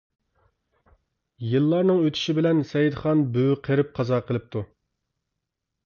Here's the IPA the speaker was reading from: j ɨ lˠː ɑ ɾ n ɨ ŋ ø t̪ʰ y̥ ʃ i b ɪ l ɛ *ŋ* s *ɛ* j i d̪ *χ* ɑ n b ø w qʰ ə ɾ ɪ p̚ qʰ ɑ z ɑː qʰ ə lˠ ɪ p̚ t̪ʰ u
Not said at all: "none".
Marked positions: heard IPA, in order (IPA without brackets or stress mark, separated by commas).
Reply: n, ɛ, χ